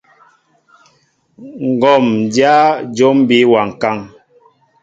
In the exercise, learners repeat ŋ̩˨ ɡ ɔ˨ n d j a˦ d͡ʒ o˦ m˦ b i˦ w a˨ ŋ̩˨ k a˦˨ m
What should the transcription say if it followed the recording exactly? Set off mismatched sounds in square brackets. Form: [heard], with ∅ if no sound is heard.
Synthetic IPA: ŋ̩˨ ɡ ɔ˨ [m] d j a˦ d͡ʒ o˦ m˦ b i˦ w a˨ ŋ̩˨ k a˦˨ [ŋ]